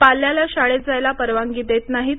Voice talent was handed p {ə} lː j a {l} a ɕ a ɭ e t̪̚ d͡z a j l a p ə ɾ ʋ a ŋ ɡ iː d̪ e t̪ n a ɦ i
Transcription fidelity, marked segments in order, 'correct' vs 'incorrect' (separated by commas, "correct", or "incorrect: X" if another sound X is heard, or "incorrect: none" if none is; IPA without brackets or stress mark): incorrect: a, correct